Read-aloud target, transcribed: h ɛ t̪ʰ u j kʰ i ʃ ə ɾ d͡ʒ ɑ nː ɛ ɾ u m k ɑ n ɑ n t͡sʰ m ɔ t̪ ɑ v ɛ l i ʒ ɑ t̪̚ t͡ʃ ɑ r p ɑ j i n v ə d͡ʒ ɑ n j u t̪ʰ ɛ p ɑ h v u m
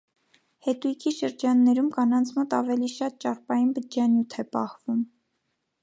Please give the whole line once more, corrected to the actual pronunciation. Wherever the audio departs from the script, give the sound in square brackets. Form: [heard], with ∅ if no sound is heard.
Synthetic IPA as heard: h ɛ [t̪] u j kʰ i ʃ ə ɾ d͡ʒ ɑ nː ɛ ɾ u m k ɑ n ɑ n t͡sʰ m ɔ t̪ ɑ v ɛ l i [ʃ] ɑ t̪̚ t͡ʃ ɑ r p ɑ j i n [b] ə d͡ʒ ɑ n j u t̪ʰ ɛ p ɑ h v u m